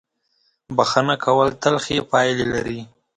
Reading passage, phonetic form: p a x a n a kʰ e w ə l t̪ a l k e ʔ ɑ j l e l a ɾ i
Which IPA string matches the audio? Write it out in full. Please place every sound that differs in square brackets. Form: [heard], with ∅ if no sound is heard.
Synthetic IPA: [b] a x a n a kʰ [a] w ə l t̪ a l [x] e [p] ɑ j l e l a ɾ i